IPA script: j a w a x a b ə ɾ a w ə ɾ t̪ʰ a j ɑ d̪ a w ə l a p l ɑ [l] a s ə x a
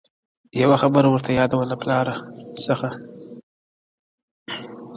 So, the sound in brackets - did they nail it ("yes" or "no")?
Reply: no